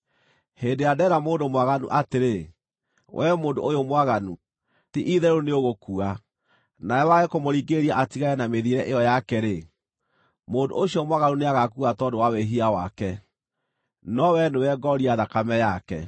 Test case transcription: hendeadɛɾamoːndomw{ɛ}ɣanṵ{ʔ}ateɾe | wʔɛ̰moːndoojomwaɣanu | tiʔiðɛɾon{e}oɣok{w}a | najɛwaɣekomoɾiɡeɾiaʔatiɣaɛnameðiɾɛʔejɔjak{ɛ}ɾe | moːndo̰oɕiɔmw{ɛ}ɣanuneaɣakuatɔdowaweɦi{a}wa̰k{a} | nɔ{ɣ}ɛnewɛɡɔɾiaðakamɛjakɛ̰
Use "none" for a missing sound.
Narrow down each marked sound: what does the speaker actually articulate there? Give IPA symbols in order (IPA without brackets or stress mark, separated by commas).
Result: a, ʔ, e, u, ɛ, a, a, ɛ, w